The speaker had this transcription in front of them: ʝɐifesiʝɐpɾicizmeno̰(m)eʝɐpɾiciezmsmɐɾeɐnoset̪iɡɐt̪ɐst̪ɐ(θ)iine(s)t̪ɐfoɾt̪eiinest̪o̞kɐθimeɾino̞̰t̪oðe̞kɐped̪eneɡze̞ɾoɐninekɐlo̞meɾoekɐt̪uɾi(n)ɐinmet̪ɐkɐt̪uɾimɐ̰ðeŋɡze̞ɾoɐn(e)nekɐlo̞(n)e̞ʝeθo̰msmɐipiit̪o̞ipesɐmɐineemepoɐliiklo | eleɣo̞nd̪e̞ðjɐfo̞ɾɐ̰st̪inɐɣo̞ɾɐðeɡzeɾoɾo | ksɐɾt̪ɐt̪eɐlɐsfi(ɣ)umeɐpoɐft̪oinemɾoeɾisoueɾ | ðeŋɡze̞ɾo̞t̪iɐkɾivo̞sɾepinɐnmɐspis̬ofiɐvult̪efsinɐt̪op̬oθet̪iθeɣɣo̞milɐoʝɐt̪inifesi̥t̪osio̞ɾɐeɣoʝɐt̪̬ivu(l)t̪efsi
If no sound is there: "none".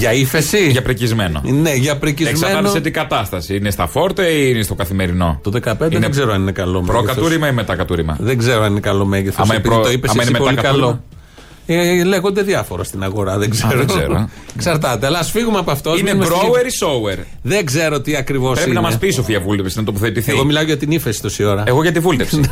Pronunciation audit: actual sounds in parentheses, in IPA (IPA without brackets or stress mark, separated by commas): n, s, s, m, i, m, ɣ, l